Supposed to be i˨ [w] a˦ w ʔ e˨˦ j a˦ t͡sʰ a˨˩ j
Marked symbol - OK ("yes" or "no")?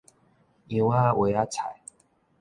yes